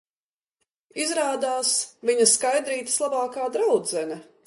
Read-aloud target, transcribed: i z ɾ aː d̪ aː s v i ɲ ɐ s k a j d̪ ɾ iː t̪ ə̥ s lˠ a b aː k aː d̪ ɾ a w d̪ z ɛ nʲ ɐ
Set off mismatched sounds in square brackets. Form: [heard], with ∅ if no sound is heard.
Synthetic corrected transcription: i z ɾ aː d̪ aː s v i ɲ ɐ s k a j d̪ ɾ iː t̪ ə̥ s lˠ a b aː k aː d̪ ɾ a w d̪ z ɛ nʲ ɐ